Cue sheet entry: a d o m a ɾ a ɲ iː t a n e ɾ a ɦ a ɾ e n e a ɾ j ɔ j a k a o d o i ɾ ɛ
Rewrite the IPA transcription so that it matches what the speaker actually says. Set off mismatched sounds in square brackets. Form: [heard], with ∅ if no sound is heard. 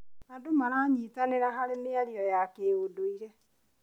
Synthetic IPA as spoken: a d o m a ɾ a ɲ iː t a n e ɾ a ɦ a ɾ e n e a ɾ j ɔ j a k [e] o d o i ɾ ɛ